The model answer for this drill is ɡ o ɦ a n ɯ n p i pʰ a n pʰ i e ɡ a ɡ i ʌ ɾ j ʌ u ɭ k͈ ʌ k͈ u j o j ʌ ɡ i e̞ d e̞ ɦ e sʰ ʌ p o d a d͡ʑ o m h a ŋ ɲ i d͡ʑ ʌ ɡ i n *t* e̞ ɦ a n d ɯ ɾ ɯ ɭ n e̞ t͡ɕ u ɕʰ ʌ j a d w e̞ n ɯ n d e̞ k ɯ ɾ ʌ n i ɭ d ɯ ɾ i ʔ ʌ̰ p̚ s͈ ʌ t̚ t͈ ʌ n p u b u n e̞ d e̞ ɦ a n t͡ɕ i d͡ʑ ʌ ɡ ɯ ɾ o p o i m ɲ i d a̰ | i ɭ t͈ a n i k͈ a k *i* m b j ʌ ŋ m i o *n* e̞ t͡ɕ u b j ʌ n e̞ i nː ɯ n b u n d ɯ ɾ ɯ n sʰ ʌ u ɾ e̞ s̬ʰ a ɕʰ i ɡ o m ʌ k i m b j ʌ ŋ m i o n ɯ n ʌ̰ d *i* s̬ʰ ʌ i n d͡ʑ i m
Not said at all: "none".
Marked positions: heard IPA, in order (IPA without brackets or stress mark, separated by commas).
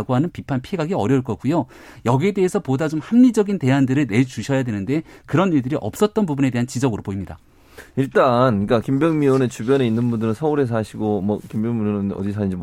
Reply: t, i, n, i